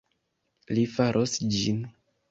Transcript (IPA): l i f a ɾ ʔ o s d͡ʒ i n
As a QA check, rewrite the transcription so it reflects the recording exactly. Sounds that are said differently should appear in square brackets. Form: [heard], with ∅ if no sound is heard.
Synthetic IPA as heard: l i f a ɾ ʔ o s d͡ʒ i n